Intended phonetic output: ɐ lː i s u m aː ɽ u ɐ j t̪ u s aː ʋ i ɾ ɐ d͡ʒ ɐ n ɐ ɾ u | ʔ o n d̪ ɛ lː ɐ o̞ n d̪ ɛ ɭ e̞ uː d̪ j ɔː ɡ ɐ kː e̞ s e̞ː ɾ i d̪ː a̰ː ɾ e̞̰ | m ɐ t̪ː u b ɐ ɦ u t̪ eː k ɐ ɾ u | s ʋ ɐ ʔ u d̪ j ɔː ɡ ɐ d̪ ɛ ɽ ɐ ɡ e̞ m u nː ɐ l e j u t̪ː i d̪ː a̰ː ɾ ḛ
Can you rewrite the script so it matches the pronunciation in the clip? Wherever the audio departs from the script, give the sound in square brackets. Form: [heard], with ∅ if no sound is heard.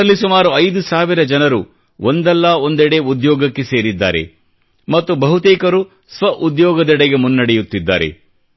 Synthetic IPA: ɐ lː i s u m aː [ɾ] u ɐ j [d̪] u s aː ʋ i ɾ ɐ d͡ʒ ɐ n ɐ ɾ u | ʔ o n d̪ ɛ lː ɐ o̞ n d̪ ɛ [ɽ] e̞ [u] d̪ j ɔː ɡ ɐ kː e̞ s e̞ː ɾ i d̪ː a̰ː ɾ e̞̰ | m ɐ t̪ː u b ɐ ɦ u t̪ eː k ɐ ɾ u | s ʋ ɐ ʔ u d̪ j ɔː ɡ ɐ d̪ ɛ ɽ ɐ ɡ e̞ m u nː ɐ [ɽ] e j u t̪ː i d̪ː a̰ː ɾ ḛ